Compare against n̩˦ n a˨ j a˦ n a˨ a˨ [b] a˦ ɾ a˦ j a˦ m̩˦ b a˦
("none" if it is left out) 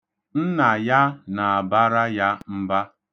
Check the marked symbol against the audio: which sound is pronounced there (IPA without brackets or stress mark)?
b